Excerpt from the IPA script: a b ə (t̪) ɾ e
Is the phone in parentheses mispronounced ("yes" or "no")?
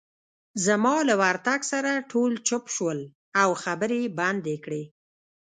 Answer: yes